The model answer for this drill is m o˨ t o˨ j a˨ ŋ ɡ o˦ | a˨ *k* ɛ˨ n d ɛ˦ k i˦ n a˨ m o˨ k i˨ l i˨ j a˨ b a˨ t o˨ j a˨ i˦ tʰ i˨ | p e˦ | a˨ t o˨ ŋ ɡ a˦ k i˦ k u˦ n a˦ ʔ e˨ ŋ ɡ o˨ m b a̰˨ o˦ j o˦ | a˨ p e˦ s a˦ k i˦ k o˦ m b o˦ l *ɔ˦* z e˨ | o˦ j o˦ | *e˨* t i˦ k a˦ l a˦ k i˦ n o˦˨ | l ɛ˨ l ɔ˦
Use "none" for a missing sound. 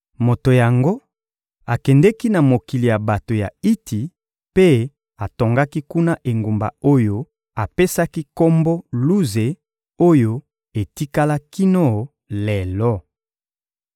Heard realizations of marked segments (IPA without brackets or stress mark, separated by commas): k, u˦, e˨